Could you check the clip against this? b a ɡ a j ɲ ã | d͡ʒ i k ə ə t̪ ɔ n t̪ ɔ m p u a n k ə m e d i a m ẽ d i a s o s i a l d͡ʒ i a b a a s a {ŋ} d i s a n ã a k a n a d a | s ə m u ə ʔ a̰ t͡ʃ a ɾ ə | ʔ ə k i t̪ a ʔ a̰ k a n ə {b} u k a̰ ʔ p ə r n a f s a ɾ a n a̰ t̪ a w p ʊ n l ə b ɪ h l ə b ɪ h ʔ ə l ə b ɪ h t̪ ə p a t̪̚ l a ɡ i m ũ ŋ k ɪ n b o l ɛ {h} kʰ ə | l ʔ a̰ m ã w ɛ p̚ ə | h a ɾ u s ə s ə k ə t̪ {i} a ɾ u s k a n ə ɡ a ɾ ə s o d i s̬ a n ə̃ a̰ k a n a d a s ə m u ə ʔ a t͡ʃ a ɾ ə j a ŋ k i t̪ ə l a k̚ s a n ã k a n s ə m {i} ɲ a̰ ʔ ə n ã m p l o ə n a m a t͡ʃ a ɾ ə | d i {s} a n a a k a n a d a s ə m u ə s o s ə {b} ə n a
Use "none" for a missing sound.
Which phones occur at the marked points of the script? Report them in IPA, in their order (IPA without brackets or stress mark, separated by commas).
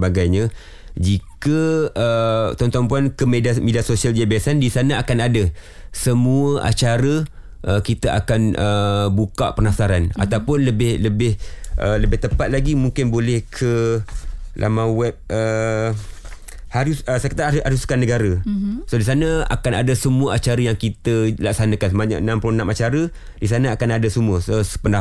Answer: n, b, h, a, a, s, p